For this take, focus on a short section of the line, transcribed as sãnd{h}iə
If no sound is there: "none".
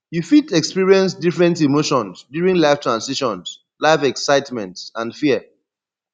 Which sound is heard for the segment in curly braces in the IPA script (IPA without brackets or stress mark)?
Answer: f